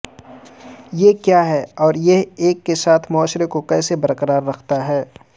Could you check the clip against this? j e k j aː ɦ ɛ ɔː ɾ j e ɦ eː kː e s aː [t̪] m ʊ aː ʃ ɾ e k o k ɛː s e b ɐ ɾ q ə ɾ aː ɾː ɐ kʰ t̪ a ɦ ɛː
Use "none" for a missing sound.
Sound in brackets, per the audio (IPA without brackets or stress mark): t̪ʰ